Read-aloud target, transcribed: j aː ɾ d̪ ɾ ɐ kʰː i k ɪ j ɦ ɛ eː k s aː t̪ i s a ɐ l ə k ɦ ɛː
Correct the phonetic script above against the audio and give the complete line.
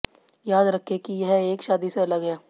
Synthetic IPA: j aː d̪ ɾ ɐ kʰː e k i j ɦ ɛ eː k ʃ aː d̪ i s e ɐ l ə ɡ ɦ ɛː